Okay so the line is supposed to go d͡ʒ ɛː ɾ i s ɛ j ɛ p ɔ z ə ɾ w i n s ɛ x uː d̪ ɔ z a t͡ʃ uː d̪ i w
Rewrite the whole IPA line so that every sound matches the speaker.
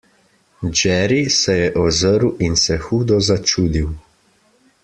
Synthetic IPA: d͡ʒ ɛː ɾ i s ɛ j ɛ ʔ ɔ z ə ɾ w i n s ɛ x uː d̪ ɔ z a t͡ʃ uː d̪ i w